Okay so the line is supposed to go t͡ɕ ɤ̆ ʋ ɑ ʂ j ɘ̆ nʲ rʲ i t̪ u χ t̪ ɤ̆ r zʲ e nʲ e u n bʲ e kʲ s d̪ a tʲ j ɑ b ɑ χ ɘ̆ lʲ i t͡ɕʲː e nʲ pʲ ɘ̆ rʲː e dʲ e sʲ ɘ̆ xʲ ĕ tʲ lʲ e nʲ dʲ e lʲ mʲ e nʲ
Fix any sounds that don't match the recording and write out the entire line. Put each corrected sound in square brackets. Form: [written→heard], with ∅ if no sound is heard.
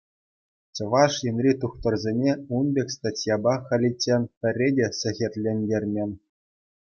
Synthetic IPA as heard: t͡ɕ ɤ̆ ʋ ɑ ʂ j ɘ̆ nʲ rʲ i t̪ u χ t̪ ɤ̆ r zʲ e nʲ e u n bʲ e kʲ s [d̪→t̪] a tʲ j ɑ b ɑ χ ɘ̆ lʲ i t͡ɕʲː e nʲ pʲ ɘ̆ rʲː e dʲ e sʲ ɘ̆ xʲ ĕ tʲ lʲ e nʲ dʲ e [lʲ→rʲ] mʲ e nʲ